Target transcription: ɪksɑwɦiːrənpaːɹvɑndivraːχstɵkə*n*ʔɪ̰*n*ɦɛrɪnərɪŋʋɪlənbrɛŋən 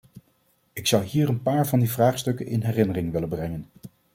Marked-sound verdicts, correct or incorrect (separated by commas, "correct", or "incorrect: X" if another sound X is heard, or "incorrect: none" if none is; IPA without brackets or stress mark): correct, correct